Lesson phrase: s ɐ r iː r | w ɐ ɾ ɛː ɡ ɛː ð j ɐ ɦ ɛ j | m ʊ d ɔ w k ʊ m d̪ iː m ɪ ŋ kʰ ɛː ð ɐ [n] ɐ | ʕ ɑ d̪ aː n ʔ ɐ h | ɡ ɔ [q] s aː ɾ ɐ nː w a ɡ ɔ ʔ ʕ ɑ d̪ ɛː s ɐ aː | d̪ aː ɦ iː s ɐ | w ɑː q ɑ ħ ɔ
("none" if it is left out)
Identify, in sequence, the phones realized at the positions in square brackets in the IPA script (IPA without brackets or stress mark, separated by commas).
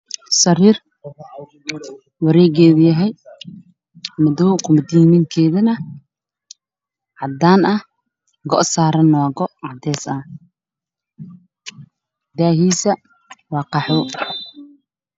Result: n, ʔ